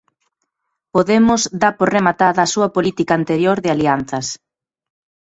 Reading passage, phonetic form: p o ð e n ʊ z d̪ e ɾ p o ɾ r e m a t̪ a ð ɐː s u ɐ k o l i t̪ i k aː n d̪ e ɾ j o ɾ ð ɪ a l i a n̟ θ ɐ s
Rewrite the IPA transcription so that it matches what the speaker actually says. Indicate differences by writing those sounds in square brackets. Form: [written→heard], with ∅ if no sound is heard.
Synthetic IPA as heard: p o ð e [n→m] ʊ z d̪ [e→a] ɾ p o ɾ r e m a t̪ a ð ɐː s u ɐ [k→p] o l i t̪ i k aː n [d̪→t̪] e ɾ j o ɾ ð ɪ a l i a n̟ θ ɐ s